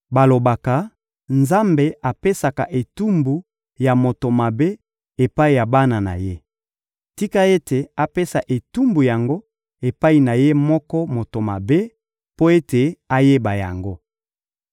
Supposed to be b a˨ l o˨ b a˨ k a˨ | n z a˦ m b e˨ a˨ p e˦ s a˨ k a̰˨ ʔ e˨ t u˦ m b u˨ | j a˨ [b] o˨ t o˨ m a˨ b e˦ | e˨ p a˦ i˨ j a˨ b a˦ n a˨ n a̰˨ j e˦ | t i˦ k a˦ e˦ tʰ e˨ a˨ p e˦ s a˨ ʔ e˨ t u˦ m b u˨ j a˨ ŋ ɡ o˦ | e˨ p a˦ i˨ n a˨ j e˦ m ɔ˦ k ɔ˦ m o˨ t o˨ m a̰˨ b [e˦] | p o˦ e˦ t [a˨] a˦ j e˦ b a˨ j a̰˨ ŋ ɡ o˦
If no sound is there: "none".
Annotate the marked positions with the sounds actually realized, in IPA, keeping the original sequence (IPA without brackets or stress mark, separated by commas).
m, e˦, e˨